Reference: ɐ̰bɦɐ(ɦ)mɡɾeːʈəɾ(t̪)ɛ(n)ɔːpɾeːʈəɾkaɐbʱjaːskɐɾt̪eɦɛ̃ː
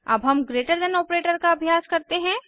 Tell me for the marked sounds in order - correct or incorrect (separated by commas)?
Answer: incorrect, incorrect, correct